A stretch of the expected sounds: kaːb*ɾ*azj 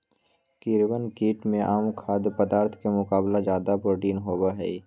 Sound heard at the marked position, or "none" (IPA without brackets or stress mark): l